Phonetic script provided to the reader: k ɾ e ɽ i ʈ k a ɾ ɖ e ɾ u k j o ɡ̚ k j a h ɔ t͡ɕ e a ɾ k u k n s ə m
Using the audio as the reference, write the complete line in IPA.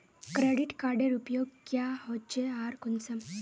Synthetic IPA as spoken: k ɾ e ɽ i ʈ k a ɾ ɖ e ɾ u p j o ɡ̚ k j a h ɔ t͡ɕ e a ɾ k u n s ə m